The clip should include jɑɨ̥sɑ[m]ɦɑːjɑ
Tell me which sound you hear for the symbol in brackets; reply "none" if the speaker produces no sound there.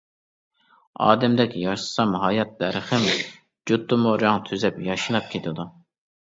m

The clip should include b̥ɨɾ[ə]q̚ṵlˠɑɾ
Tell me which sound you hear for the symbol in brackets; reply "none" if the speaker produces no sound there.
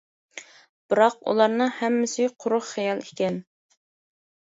ɑ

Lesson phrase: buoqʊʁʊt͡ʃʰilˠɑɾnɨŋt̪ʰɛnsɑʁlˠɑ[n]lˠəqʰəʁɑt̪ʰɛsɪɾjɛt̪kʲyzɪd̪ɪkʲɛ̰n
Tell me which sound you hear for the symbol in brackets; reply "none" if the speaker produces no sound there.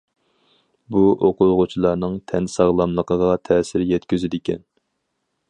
m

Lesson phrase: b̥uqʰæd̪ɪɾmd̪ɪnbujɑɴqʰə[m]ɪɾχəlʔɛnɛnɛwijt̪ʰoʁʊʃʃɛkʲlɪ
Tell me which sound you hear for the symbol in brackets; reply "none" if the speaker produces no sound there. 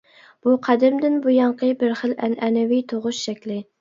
b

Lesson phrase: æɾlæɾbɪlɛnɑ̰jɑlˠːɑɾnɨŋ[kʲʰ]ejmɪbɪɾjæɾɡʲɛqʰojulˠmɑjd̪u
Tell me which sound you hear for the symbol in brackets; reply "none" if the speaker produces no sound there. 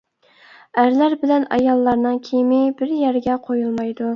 kʲʰ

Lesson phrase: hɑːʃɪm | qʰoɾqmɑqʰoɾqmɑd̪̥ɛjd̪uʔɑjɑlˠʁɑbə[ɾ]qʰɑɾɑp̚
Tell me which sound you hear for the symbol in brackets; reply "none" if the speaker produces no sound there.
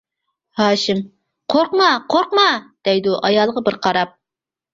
ɾ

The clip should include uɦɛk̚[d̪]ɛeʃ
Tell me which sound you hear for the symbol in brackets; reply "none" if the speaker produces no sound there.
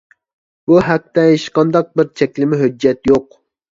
t̪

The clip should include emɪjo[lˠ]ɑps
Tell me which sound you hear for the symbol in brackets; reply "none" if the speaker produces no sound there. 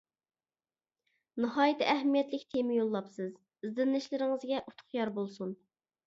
lˠː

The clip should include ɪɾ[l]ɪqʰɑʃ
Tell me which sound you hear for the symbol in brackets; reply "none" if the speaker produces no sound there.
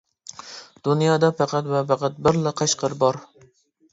l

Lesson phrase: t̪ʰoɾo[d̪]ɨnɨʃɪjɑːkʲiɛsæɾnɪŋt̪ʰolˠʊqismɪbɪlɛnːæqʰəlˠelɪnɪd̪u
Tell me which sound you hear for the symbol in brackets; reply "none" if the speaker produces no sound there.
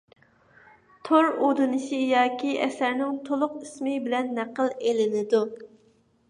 d̪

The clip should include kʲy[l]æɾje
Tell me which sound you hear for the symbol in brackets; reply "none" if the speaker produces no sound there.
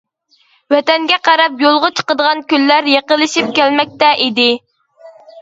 lː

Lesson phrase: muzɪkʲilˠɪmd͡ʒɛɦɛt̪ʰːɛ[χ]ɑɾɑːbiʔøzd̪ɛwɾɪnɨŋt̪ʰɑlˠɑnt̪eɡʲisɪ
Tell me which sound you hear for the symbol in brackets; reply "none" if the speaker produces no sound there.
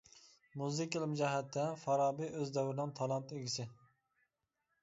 f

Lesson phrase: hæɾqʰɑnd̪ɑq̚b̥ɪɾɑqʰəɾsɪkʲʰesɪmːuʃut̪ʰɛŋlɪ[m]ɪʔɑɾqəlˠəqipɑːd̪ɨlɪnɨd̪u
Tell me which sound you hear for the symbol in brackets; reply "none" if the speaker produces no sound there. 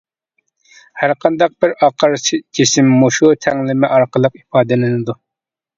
m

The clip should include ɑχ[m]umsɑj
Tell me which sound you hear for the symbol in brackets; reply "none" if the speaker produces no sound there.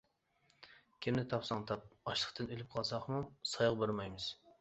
m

